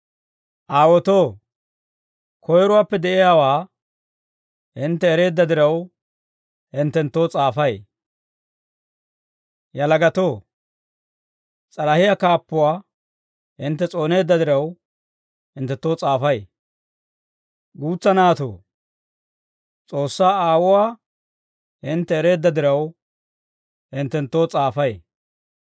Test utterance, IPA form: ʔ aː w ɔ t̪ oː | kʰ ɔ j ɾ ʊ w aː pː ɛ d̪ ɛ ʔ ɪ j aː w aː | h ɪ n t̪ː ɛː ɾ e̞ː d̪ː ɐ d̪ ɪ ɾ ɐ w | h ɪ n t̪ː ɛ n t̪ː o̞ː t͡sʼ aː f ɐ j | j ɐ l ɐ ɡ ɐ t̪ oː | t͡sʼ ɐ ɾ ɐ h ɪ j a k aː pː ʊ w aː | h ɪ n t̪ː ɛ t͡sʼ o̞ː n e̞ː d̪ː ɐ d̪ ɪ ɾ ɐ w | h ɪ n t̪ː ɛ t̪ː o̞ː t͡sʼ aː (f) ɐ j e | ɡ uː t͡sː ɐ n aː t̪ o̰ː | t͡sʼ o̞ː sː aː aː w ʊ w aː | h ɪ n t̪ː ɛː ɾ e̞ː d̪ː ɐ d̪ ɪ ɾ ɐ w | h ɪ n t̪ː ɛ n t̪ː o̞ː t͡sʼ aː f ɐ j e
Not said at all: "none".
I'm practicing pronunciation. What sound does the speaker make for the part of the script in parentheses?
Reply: f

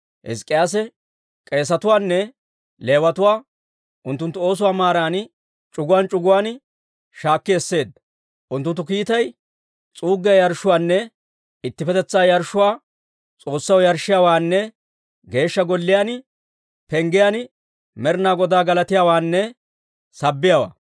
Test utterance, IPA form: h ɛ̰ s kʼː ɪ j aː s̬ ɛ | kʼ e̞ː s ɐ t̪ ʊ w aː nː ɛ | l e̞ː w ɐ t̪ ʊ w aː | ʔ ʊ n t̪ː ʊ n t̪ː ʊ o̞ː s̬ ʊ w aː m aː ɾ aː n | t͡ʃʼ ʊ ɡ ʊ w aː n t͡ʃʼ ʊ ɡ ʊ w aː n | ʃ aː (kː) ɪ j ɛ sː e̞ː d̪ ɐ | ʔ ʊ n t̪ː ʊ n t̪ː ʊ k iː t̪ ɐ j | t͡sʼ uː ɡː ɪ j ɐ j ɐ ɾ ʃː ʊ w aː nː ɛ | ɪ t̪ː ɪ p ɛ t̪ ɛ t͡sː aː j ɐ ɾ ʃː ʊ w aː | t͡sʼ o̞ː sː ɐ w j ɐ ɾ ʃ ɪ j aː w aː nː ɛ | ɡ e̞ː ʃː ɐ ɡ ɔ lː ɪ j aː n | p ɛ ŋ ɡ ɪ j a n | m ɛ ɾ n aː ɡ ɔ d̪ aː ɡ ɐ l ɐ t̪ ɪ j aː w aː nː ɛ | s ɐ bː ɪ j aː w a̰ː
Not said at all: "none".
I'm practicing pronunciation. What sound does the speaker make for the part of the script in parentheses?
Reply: kː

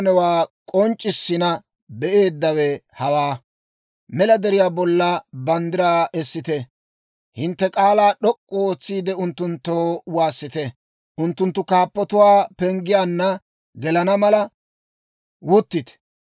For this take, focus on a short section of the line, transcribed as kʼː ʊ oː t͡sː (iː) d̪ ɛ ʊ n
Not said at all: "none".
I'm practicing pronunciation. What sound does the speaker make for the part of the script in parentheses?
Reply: iː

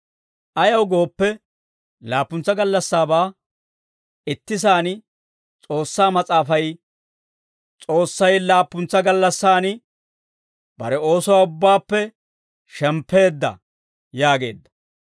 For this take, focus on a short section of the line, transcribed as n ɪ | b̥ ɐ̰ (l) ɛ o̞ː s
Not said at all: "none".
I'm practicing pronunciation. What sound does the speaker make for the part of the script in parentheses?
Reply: ɾ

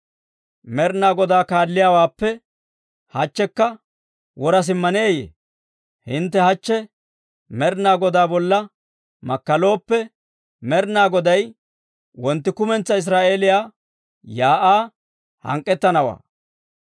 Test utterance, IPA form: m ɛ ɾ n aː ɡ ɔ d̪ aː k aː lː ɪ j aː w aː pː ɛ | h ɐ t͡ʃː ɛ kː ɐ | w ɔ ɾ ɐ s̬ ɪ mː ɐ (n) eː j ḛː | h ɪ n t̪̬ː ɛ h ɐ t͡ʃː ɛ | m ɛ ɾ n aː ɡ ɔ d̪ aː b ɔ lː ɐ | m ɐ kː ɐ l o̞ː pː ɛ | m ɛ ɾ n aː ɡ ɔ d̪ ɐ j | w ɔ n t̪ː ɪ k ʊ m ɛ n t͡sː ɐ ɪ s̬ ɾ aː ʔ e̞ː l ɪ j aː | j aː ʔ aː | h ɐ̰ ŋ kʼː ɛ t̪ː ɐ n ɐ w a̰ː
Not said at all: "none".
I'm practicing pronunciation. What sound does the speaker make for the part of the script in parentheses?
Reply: n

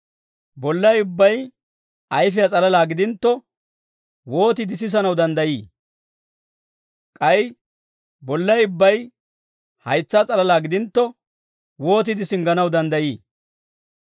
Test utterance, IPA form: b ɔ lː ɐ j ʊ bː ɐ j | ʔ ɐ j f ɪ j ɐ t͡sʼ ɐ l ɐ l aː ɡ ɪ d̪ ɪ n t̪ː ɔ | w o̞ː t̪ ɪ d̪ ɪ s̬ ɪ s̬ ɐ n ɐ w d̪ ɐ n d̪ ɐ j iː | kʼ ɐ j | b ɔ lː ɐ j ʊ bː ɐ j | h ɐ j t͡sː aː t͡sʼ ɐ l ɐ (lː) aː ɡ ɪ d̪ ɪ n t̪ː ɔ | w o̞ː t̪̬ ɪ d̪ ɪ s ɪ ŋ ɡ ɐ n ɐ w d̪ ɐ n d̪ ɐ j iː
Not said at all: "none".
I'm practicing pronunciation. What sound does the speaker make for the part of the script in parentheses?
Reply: l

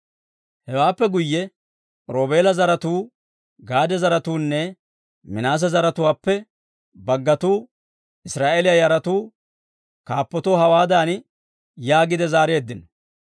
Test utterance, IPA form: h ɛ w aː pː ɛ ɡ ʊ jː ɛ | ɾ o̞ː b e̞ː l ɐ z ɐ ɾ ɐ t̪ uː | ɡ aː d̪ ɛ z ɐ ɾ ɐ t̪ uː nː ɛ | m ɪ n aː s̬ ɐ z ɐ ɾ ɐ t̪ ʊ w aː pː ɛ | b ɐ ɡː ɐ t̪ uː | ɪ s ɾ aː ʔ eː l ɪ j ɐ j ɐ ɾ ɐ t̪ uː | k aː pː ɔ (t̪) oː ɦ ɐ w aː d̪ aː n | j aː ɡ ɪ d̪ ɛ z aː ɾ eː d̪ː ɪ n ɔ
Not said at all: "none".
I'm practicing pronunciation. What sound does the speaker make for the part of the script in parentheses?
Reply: t̪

